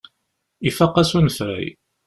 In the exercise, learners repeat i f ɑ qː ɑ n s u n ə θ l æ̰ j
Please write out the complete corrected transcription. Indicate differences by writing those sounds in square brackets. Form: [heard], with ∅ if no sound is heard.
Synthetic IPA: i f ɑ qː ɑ [∅] s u n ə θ [ɾ] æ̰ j